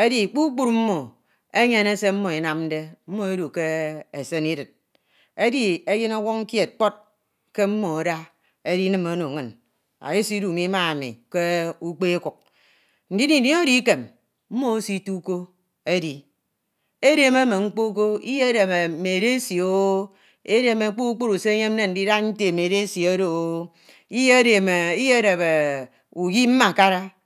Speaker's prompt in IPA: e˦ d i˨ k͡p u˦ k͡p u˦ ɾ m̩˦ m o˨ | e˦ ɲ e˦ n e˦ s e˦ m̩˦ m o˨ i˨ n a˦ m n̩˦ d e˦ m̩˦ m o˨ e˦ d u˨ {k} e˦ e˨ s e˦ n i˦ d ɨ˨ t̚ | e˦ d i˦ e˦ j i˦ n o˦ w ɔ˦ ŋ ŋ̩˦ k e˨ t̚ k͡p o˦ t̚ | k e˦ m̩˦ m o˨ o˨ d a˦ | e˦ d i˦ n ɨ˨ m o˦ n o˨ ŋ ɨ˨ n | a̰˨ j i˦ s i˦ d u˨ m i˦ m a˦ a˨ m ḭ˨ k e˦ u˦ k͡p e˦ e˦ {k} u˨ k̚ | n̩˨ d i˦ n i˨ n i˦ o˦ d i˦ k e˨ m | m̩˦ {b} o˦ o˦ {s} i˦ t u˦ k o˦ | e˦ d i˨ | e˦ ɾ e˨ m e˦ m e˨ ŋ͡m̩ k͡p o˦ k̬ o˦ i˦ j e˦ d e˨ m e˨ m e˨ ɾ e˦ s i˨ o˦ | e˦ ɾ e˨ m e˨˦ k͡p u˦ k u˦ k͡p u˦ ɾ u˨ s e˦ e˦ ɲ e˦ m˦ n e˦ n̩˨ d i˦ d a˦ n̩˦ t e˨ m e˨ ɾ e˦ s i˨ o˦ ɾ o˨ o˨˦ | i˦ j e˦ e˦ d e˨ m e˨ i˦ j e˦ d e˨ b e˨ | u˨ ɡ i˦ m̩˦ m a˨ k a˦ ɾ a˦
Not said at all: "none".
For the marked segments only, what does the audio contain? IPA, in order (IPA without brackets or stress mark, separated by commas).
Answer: k, k, m, s